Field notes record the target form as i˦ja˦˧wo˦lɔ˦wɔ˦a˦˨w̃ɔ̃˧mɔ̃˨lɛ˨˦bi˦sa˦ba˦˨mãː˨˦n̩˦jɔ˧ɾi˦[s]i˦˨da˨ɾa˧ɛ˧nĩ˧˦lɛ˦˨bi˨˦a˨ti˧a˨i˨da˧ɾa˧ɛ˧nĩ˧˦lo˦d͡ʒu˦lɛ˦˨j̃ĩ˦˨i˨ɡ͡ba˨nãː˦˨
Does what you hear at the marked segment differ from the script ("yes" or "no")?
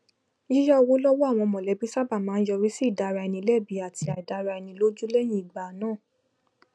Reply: no